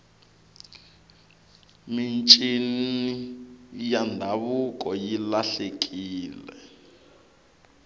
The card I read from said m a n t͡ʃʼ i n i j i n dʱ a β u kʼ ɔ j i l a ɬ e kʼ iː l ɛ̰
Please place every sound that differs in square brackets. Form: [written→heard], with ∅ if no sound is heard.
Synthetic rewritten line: m [a→i] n t͡ʃʼ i n i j [i→a] n dʱ a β u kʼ ɔ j i l a ɬ e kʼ iː l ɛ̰